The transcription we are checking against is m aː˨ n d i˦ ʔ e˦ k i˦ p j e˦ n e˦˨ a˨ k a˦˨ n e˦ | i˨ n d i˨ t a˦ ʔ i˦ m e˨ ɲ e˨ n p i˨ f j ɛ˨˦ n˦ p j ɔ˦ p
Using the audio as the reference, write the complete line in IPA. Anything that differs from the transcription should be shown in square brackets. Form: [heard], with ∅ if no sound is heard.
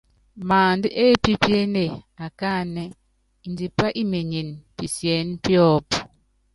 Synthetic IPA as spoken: m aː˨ n d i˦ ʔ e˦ [p] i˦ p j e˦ n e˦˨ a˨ k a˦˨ n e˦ | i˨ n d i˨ [p] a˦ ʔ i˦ m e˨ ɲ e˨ n p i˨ [s] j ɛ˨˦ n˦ p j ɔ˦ p

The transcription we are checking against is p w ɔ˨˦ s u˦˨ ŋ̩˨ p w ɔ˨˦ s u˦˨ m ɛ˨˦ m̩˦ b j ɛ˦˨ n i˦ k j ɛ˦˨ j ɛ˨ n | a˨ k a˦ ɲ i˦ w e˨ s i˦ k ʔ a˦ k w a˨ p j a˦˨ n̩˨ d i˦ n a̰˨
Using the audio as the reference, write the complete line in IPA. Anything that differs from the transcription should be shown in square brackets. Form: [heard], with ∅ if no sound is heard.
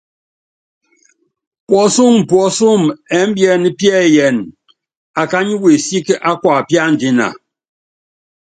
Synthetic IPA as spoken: p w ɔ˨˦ s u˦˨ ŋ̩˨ p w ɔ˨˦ s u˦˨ m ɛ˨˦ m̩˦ b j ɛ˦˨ n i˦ [p] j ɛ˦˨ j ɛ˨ n | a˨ k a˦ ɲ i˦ w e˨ s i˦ k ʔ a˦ k w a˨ p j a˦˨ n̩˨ d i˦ n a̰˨

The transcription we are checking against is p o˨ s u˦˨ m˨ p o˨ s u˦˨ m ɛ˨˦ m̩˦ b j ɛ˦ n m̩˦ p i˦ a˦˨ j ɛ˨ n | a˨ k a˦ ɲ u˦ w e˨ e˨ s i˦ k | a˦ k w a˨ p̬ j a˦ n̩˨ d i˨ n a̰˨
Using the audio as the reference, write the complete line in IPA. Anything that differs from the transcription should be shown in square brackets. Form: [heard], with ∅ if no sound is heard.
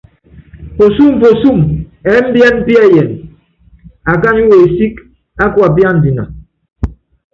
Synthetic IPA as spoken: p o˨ s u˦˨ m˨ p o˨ s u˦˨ m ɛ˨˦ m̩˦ b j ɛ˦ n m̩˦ p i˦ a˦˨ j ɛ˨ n | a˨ k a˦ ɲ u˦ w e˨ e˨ s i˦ k | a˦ k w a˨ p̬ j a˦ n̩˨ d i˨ n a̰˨

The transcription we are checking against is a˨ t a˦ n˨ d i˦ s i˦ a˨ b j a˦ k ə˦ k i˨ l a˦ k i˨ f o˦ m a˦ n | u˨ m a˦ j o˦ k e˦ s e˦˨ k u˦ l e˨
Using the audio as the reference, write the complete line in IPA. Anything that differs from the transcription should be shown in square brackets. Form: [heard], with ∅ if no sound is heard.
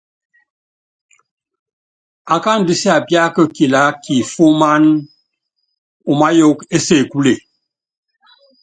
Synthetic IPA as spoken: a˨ [k] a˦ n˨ d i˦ s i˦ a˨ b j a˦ k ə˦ k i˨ l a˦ k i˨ f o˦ m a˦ n | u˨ m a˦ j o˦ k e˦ s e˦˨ k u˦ l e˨

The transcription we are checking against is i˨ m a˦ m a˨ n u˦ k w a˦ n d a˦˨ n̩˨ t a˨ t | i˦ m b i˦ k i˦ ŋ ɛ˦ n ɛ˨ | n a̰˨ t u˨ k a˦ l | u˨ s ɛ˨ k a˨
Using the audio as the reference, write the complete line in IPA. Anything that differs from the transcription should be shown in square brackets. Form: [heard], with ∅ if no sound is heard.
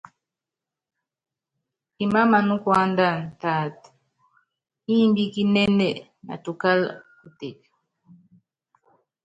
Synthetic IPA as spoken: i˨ m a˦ m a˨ n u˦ k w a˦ n d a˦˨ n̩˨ t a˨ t | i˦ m b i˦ k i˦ [n] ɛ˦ n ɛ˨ | n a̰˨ t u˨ k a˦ l | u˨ [t] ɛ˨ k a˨

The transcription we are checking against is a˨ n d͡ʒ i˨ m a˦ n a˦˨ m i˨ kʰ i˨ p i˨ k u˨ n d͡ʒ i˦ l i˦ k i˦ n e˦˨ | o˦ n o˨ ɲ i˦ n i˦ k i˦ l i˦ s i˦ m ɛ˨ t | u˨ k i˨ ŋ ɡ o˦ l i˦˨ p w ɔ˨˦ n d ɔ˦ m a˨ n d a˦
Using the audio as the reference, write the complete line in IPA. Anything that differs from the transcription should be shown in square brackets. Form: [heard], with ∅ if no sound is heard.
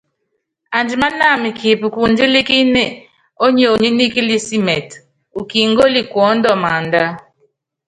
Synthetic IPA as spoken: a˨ n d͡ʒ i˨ m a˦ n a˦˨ m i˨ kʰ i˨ p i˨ k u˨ n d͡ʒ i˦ l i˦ k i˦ n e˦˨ | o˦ [ɲ] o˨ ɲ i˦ n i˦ k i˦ l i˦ s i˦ m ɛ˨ t | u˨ k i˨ ŋ ɡ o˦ l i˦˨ [k] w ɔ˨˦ n d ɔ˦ m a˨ n d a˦

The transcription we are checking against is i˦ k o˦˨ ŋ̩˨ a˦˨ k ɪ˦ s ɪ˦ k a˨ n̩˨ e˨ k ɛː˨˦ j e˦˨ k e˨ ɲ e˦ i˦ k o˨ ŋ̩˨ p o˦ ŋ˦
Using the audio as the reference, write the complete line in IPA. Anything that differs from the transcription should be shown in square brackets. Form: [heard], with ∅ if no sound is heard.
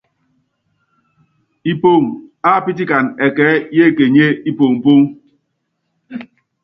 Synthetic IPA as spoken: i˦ [p] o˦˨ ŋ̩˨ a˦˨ [p] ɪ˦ [t] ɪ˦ k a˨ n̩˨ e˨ k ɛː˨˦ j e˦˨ k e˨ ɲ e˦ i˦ [p] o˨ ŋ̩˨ p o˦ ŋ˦

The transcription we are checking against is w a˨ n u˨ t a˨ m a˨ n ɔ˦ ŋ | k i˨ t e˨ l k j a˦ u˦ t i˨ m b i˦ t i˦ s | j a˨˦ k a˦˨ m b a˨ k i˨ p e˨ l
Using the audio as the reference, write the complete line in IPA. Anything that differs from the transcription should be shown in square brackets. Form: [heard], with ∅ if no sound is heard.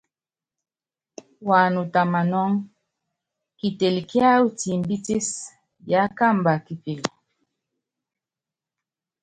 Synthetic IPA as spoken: w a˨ n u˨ t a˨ m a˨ n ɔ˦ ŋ | k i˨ t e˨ l k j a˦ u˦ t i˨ m b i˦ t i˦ s | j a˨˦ k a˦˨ m b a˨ k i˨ p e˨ l

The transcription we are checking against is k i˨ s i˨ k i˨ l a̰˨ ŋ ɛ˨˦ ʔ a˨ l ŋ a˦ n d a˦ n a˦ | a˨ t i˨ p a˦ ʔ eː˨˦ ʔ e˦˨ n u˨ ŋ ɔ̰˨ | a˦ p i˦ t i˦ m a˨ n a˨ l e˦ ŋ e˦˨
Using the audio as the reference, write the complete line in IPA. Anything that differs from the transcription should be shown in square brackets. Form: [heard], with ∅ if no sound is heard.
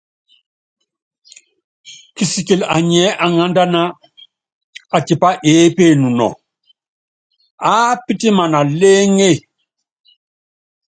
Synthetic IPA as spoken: k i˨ s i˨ k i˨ l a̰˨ [ɲ] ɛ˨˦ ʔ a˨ [∅] ŋ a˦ n d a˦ n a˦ | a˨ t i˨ p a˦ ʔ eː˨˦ [p] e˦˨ n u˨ [n] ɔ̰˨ | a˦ p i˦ t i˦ m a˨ n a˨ l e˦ ŋ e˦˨

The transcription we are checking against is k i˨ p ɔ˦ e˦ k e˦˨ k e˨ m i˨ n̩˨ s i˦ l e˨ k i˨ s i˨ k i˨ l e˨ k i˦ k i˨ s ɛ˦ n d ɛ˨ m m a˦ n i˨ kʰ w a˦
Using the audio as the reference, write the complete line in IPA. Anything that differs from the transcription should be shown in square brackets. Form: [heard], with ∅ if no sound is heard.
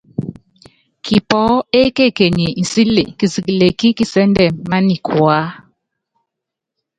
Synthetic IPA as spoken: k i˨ p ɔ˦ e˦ k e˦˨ k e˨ [ɲ] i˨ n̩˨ s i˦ l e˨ k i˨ s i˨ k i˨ l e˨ k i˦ k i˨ s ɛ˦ n d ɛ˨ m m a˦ n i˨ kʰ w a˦

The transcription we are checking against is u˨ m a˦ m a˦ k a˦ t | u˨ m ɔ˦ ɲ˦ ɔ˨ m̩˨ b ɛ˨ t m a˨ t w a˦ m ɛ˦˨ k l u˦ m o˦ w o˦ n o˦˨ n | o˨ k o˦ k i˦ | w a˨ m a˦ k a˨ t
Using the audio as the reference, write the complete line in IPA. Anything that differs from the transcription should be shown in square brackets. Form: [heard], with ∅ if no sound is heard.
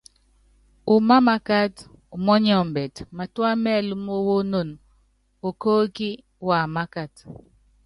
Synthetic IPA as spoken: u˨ m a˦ m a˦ k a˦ t | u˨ m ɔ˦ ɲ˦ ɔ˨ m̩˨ b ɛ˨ t m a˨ t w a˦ m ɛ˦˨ [∅] l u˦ m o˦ w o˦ n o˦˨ n | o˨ k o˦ k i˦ | w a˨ m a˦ k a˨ t

